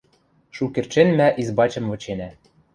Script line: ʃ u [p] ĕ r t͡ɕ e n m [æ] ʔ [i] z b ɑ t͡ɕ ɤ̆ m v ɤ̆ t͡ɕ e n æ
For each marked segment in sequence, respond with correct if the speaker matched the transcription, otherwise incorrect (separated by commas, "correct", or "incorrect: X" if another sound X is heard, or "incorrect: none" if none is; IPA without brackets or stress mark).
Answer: incorrect: k, correct, correct